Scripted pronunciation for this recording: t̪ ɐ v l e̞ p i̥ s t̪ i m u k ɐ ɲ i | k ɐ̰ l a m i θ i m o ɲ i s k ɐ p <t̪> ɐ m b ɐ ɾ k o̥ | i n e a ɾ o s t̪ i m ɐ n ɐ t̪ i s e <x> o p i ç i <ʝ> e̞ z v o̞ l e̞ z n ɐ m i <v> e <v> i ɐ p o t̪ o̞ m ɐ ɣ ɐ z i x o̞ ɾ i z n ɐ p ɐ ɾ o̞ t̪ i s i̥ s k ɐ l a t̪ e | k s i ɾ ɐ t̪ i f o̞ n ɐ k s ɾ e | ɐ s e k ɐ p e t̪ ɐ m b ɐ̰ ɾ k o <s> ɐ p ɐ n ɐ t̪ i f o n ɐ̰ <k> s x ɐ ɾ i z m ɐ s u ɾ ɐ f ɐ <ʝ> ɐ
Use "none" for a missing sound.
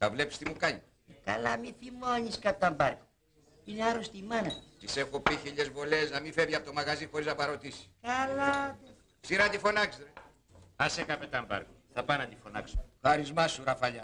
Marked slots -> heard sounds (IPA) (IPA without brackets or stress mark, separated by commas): t̪, x, ʎ, f, v, θ, k, ʎ